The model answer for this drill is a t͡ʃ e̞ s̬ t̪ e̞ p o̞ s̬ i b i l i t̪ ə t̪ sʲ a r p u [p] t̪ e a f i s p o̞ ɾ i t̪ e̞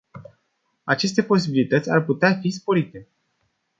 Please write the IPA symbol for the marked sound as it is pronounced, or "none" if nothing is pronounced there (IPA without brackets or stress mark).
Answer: none